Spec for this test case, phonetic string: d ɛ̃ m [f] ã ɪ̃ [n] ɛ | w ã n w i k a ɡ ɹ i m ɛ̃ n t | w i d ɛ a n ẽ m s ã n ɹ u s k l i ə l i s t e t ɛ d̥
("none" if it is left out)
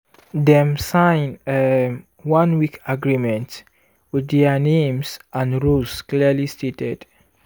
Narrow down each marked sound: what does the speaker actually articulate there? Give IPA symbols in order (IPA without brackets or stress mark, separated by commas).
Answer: s, n